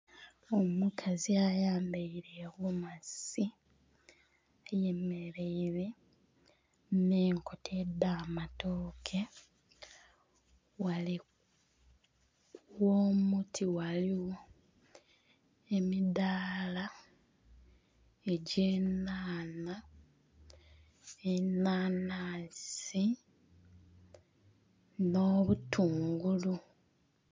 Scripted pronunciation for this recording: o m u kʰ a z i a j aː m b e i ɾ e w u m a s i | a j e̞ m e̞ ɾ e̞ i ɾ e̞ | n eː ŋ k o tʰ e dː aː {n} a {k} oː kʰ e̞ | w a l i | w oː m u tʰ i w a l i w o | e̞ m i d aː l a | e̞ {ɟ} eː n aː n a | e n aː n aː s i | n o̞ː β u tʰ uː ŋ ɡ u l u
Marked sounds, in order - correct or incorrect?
incorrect, incorrect, correct

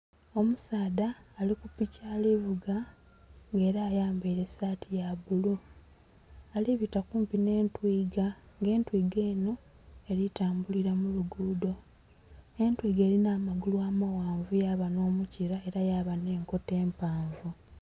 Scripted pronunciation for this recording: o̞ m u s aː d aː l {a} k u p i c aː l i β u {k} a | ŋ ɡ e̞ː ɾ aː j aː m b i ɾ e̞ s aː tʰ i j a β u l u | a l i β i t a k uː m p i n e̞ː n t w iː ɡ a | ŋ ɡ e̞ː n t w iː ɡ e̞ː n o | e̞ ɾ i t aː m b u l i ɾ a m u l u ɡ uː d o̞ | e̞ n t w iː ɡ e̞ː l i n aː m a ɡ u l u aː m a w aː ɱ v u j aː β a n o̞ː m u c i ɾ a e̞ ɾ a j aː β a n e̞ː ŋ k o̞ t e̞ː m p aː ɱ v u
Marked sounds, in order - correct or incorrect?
incorrect, incorrect

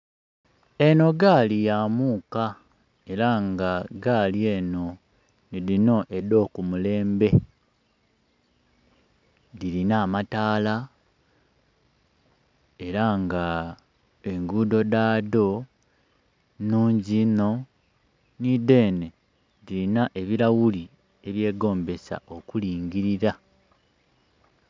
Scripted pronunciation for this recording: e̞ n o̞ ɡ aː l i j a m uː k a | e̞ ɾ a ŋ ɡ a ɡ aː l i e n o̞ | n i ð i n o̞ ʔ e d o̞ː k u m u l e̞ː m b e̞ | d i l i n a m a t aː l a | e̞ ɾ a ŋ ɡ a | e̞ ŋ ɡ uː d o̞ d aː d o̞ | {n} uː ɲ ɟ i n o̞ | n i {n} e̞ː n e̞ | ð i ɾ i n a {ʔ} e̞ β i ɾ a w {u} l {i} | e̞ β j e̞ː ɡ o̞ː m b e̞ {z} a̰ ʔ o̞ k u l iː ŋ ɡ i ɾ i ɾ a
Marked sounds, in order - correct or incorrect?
correct, incorrect, correct, correct, correct, incorrect

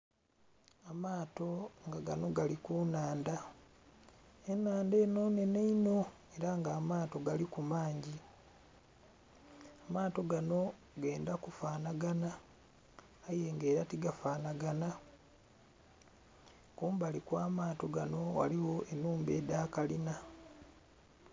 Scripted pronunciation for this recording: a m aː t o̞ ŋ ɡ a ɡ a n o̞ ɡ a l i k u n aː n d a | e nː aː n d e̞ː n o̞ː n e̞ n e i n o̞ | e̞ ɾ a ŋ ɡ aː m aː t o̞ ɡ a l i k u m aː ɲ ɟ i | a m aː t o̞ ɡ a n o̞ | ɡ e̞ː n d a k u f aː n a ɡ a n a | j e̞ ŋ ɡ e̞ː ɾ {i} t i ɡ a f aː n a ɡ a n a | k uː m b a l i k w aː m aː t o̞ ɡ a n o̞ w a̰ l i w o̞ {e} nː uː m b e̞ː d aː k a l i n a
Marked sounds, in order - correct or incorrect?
incorrect, correct

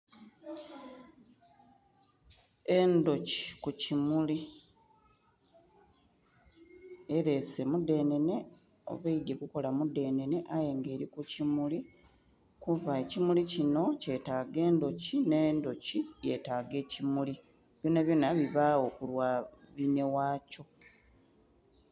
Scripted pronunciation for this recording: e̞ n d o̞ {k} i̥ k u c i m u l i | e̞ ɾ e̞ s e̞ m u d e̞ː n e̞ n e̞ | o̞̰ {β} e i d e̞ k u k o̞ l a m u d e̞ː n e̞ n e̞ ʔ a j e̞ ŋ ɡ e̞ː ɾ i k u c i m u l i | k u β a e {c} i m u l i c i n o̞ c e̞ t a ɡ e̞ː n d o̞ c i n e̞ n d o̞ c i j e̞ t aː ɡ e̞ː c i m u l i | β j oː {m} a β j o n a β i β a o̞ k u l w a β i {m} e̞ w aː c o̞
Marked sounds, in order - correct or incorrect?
incorrect, correct, correct, incorrect, incorrect

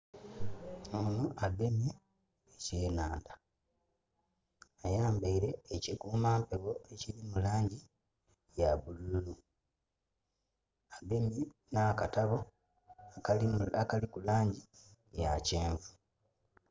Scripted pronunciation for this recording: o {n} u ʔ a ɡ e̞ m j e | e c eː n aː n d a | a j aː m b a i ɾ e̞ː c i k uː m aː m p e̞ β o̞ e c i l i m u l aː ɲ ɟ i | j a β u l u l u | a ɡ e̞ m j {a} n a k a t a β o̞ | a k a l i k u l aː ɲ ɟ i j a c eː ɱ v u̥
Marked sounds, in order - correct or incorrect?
correct, incorrect

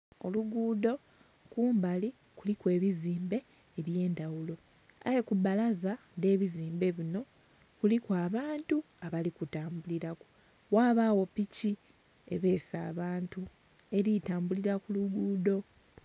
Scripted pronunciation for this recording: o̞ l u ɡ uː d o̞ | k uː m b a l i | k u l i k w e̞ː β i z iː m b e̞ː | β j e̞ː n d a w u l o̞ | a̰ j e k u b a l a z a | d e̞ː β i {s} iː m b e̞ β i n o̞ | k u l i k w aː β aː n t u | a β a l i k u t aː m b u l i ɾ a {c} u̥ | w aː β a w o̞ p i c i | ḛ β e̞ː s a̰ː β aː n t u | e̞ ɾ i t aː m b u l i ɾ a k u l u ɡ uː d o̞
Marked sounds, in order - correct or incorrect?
incorrect, incorrect

